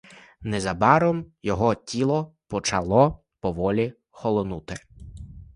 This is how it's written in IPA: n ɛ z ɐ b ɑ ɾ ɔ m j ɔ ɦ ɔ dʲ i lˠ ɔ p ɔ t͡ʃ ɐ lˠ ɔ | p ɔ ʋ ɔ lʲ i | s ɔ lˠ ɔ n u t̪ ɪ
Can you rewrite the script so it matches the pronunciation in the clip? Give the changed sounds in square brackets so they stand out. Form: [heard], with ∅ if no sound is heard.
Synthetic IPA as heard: n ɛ z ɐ b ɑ ɾ ɔ m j ɔ ɦ ɔ [tʲ] i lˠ ɔ p ɔ t͡ʃ ɐ lˠ ɔ | p ɔ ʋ ɔ lʲ i | [x] ɔ lˠ ɔ n u t̪ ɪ